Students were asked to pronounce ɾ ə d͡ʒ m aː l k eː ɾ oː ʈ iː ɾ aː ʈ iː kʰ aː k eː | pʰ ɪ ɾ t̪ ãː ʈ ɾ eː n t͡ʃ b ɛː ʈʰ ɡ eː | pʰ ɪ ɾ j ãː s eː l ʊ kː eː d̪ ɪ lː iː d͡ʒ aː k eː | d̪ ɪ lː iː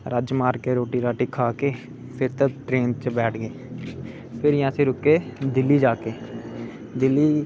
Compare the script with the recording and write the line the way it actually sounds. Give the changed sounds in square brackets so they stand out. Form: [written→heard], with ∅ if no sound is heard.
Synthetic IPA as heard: ɾ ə d͡ʒ m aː [l→ɾ] k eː ɾ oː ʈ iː ɾ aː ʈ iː kʰ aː k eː | pʰ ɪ ɾ t̪ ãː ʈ ɾ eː n t͡ʃ b ɛː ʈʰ ɡ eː | pʰ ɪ ɾ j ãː s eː [l→ɾ] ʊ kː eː d̪ ɪ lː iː d͡ʒ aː k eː | d̪ ɪ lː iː